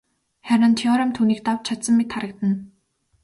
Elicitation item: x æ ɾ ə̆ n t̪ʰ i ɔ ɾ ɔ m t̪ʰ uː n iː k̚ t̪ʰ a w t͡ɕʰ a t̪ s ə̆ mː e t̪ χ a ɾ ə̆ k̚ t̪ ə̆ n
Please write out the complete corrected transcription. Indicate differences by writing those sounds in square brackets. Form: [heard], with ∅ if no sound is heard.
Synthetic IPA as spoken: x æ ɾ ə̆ n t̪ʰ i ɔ ɾ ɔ m t̪ʰ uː n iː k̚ [t̪] a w t͡ɕʰ a t̪ s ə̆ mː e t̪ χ a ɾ ə̆ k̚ t̪ ə̆ n